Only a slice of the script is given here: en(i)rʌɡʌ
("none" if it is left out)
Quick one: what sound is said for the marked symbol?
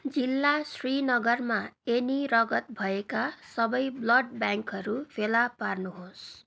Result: i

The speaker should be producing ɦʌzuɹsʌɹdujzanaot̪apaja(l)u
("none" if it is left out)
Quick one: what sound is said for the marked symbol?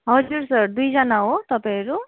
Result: ɹ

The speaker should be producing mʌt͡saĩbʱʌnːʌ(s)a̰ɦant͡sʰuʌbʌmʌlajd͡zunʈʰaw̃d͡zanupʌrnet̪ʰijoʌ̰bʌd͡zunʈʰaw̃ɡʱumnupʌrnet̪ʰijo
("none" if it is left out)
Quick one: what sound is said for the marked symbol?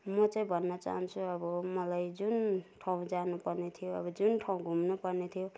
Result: t͡s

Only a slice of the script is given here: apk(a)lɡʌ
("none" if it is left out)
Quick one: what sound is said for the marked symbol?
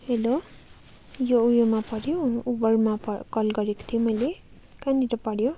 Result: ʌ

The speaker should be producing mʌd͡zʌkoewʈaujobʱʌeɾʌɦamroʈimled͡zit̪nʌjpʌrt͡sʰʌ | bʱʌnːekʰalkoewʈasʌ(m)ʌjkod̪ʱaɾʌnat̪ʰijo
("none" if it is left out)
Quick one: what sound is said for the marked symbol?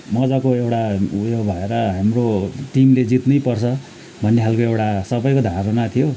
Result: b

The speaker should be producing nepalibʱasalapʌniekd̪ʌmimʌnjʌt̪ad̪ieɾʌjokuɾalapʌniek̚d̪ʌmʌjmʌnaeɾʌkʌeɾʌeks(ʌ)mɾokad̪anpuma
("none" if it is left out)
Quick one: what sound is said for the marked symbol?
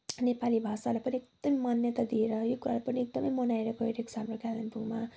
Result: a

